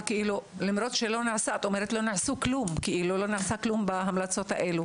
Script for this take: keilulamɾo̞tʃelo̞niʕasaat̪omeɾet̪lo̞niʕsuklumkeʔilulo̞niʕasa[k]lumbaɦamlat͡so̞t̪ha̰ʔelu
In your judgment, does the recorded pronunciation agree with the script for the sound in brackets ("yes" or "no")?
yes